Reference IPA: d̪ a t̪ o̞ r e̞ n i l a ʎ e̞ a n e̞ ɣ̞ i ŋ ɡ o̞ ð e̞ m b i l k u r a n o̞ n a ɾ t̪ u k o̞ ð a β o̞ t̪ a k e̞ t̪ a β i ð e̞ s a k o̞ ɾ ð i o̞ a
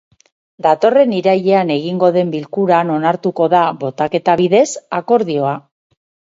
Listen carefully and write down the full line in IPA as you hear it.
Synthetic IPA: d̪ a t̪ o̞ r e̞ n i ɾ a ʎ e̞ a n e̞ ɣ̞ i ŋ ɡ o̞ ð e̞ m b i l k u ɾ a n o̞ n a ɾ t̪ u k o̞ ð a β o̞ t̪ a k e̞ t̪ a β i ð e̞ s a k o̞ ɾ ð i o̞ a